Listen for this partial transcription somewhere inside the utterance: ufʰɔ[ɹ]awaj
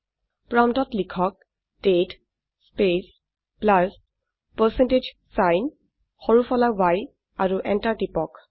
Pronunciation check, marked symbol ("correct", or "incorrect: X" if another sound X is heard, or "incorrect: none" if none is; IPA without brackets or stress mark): incorrect: l